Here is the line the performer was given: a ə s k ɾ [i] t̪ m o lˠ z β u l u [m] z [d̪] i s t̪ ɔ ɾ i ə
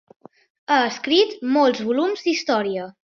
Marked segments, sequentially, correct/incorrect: correct, correct, correct

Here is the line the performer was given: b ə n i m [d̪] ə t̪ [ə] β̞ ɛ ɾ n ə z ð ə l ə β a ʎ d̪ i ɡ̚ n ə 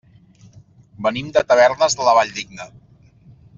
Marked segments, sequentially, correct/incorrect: correct, correct

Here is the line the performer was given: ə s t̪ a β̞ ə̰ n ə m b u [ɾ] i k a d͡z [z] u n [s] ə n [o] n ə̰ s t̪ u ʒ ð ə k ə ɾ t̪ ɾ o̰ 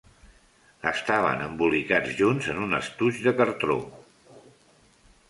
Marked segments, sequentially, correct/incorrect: incorrect: l, incorrect: ʒ, incorrect: z, incorrect: u

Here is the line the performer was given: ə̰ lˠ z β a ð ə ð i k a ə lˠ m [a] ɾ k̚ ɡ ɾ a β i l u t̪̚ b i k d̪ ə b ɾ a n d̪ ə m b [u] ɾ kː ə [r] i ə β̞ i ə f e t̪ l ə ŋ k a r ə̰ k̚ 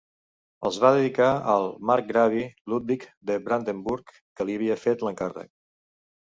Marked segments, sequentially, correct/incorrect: correct, correct, incorrect: l

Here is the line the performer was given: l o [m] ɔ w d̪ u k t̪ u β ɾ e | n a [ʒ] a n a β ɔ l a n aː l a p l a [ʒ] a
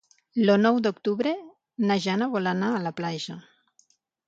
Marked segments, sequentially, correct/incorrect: incorrect: n, correct, correct

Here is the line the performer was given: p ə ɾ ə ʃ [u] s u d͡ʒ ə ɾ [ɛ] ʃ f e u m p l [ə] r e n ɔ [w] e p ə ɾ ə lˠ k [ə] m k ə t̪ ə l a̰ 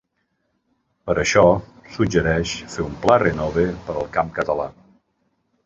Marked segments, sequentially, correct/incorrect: incorrect: ɔ, correct, incorrect: a, incorrect: β, incorrect: a

